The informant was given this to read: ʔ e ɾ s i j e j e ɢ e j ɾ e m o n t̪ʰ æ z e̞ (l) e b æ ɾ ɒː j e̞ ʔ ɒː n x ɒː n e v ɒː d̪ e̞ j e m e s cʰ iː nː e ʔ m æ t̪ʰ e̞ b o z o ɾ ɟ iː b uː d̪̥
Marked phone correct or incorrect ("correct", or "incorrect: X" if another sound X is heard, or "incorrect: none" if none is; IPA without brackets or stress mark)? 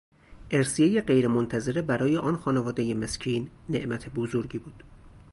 incorrect: ɾ